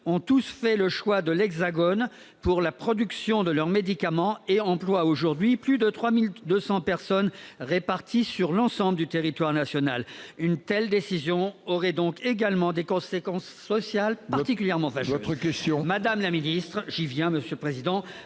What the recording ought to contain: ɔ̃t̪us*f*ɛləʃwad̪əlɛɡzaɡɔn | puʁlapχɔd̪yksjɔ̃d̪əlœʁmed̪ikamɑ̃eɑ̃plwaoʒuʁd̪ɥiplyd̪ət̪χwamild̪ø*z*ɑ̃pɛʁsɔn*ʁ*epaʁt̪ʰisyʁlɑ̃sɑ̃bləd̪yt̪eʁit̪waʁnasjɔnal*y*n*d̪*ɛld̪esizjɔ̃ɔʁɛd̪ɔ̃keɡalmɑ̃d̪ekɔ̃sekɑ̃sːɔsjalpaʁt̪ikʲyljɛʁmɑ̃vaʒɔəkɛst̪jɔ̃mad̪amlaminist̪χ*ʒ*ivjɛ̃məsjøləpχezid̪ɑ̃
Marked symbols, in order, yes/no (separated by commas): yes, no, yes, yes, no, yes